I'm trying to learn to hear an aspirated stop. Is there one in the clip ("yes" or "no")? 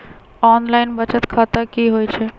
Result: yes